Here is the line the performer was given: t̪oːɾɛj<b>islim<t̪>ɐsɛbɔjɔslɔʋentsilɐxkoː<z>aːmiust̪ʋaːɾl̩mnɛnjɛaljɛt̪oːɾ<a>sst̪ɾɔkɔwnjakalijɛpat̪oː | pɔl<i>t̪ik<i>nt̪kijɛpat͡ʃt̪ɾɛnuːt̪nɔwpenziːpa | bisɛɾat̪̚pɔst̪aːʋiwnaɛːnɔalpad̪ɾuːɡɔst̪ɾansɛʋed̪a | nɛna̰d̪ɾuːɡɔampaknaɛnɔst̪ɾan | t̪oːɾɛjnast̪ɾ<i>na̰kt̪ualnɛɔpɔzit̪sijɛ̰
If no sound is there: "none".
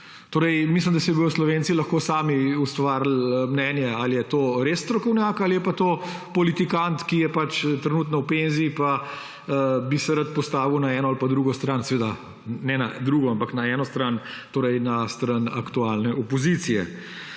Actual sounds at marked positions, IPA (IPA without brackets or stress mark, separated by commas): m, d̪, s, e, i, a, a